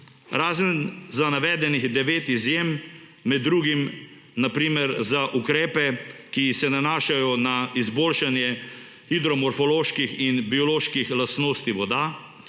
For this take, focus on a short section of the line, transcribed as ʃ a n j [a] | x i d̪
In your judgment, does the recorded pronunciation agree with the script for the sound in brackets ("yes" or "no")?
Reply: no